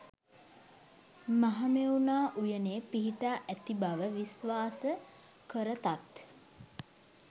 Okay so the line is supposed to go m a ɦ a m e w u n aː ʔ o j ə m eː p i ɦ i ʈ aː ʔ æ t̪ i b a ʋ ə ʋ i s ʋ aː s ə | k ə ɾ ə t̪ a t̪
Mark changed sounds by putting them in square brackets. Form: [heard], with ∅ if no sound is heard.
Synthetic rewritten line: m a ɦ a m e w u n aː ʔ [u] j ə [n] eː p i ɦ i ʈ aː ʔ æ t̪ i b a ʋ ə ʋ i s ʋ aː s ə | k ə ɾ ə t̪ a t̪